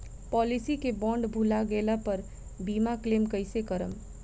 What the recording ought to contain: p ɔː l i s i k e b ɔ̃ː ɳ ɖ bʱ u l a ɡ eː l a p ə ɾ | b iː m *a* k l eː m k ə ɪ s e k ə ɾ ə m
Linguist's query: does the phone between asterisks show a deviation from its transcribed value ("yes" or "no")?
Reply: no